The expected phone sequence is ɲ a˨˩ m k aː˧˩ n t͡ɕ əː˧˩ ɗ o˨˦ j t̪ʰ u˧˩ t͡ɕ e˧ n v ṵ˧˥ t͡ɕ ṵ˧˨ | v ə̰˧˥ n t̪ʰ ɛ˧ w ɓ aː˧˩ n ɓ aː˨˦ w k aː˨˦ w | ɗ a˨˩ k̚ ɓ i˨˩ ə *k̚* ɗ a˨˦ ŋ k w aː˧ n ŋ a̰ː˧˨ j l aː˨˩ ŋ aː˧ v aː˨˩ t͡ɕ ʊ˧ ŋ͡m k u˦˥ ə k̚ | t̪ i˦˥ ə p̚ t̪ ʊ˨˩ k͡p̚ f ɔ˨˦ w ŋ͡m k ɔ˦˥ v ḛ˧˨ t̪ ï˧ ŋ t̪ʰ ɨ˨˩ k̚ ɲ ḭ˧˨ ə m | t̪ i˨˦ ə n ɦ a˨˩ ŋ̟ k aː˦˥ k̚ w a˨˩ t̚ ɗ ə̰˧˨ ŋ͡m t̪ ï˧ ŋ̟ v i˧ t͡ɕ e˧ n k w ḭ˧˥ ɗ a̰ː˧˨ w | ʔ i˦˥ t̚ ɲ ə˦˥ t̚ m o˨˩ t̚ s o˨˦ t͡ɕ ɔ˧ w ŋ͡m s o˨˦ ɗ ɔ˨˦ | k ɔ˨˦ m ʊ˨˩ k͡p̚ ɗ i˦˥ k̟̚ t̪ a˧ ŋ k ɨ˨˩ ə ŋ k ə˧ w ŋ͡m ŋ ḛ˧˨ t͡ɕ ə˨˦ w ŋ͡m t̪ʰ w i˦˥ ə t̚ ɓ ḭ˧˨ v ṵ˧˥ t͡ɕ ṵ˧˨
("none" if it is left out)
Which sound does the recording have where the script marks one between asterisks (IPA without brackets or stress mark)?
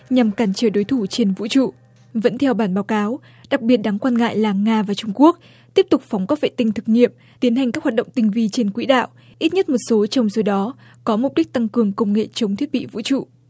t̚